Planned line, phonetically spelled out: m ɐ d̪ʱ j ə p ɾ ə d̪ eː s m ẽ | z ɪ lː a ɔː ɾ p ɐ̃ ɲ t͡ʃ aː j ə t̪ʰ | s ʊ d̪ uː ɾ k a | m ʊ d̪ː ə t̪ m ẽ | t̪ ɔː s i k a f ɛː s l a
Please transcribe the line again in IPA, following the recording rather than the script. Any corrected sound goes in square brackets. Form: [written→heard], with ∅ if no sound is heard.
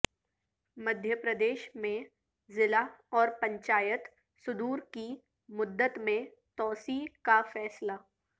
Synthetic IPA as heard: m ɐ d̪ʱ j ə p ɾ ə d̪ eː [s→ʃ] m ẽ | z ɪ [lː→l] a ɔː ɾ p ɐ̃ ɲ t͡ʃ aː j ə [t̪ʰ→t̪] | s ʊ d̪ uː ɾ k [a→i] | m ʊ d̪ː ə t̪ m ẽ | t̪ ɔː s i k a f ɛː s l a